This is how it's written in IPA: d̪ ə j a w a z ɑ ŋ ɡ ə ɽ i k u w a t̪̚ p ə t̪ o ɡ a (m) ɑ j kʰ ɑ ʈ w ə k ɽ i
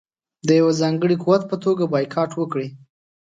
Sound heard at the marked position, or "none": b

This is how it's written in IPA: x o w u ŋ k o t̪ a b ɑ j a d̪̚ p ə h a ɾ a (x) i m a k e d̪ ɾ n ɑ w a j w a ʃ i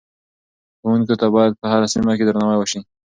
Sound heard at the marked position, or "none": s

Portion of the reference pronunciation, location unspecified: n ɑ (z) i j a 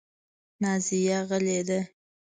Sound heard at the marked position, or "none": z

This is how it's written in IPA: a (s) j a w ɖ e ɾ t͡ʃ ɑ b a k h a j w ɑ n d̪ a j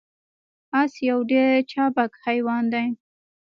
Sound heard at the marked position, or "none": s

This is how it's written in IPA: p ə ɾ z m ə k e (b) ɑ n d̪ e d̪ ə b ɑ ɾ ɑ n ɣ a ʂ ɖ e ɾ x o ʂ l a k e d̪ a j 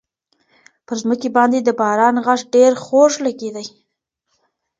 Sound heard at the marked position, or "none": b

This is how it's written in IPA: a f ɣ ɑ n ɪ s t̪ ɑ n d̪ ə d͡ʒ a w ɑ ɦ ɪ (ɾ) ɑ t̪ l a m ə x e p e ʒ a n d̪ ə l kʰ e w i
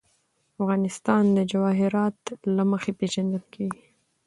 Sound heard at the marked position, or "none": ɾ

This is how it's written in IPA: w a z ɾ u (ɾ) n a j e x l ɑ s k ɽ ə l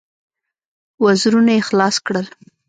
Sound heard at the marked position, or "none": none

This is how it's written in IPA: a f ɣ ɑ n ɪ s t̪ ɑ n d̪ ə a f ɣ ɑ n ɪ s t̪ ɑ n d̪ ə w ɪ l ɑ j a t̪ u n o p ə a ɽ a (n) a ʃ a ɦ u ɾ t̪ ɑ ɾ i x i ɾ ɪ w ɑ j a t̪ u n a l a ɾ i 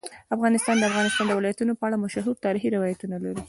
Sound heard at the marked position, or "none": m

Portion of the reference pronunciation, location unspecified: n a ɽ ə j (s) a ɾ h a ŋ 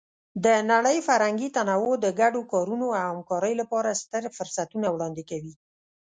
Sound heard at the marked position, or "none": f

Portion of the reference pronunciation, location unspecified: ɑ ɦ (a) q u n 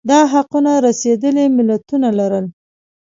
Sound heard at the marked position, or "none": a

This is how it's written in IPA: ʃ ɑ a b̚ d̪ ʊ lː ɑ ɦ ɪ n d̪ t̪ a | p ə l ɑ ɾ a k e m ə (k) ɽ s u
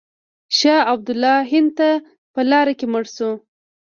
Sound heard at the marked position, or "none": none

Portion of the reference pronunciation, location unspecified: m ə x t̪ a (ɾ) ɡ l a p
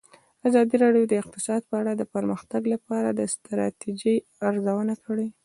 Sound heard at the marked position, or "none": none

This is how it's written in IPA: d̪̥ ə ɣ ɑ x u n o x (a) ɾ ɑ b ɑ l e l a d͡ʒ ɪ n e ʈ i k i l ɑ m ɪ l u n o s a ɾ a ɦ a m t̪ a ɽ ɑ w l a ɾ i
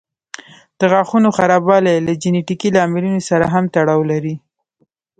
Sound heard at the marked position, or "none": a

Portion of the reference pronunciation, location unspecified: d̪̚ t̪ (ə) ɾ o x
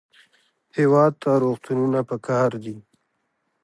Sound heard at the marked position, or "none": a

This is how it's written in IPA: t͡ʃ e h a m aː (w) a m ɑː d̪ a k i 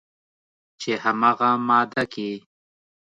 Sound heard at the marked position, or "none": ɣ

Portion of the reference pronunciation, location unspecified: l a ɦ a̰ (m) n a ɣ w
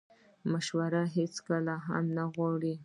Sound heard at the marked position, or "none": m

